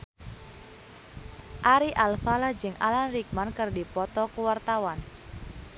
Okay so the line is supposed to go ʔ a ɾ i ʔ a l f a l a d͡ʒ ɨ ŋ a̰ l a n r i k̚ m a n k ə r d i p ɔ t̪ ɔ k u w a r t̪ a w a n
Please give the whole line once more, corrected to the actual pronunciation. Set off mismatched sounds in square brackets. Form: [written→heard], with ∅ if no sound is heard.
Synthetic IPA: ʔ a ɾ i ʔ a l f a l a d͡ʒ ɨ ŋ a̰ l a n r i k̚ m a n k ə r d i p ɔ t̪ ɔ k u w a r t̪ a w a n